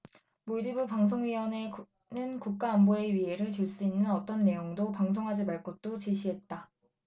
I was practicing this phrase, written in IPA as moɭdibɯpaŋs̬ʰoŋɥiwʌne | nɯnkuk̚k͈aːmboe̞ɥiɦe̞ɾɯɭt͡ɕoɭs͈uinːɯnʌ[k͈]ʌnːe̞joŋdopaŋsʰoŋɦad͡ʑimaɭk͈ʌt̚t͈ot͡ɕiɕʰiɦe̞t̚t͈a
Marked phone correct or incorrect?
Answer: incorrect